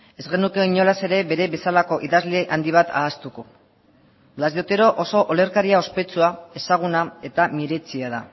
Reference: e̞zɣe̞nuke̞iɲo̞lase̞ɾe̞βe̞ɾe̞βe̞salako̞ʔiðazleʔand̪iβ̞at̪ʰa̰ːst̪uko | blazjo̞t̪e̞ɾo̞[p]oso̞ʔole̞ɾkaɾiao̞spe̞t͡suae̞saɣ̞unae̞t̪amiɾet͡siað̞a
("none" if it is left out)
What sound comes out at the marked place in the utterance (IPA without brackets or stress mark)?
ʔ